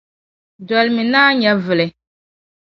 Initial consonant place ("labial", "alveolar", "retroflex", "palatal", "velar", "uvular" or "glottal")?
alveolar